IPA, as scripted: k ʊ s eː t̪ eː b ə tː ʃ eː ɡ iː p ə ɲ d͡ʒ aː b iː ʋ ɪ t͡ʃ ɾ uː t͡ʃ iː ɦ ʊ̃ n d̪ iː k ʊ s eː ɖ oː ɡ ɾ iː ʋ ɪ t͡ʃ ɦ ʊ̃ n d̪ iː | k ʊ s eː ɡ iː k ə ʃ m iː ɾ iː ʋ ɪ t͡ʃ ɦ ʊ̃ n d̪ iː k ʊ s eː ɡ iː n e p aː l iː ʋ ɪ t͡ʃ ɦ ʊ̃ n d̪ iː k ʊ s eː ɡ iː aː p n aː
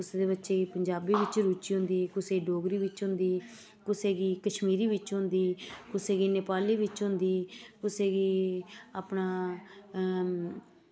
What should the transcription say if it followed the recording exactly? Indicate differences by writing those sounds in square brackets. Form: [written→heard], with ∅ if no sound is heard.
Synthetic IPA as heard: k ʊ s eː [t̪→d̪] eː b ə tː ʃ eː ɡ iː p ə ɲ d͡ʒ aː b iː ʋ ɪ t͡ʃ ɾ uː t͡ʃ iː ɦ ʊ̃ n d̪ iː k ʊ s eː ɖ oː ɡ ɾ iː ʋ ɪ t͡ʃ ɦ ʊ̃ n d̪ iː | k ʊ s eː ɡ iː k ə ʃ m iː ɾ iː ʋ ɪ t͡ʃ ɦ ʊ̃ n d̪ iː k ʊ s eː ɡ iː n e p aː l iː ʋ ɪ t͡ʃ ɦ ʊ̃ n d̪ iː k ʊ s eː ɡ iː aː p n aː